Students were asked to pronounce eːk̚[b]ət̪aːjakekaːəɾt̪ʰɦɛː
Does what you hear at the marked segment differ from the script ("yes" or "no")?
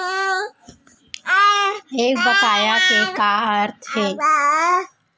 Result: no